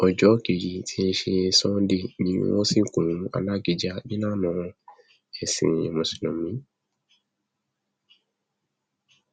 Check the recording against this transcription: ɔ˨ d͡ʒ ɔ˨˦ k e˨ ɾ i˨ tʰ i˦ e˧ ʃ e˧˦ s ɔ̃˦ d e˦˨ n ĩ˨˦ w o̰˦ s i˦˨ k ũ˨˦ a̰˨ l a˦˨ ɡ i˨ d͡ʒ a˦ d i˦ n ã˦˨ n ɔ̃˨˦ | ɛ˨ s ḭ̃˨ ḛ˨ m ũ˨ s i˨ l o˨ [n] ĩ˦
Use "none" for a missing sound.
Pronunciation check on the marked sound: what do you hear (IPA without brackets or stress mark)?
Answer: m